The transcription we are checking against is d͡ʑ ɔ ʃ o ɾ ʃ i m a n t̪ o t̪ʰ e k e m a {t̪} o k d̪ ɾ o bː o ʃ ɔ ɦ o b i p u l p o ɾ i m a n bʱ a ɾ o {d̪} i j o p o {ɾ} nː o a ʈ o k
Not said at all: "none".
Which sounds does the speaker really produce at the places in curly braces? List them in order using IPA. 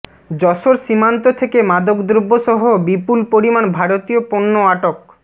d̪, t̪, none

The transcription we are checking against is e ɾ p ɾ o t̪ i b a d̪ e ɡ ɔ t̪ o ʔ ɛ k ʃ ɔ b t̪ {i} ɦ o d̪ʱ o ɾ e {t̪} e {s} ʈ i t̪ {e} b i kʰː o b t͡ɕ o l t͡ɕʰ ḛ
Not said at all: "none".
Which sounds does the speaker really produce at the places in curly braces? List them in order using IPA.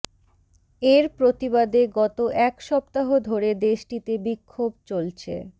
a, d̪, ʃ, e

